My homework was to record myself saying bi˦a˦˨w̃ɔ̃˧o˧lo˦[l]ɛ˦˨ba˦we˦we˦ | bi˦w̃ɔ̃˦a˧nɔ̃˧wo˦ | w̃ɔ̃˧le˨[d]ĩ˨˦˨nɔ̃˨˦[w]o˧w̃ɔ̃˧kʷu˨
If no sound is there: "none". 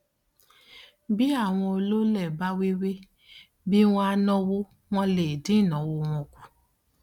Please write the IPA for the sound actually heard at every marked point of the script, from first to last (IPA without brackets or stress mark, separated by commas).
l, d, w